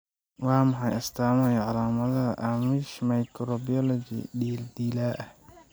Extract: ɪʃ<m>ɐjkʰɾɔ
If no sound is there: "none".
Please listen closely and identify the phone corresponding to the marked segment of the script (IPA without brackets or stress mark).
m